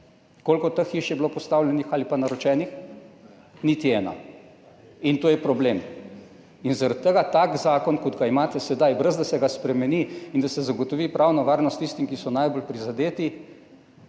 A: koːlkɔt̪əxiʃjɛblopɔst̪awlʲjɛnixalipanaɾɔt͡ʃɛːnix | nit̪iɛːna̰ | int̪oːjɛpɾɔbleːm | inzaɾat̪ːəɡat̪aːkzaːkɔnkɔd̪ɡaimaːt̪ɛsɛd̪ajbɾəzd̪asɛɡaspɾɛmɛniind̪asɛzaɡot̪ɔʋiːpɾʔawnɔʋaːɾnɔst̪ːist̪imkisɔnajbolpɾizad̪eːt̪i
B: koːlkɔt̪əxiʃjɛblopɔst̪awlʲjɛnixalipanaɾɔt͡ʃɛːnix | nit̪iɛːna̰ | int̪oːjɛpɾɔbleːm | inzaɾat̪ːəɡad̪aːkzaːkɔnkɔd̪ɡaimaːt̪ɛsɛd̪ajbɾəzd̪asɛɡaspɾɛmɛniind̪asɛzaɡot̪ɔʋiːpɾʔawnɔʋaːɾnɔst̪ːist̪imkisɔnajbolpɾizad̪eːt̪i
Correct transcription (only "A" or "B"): A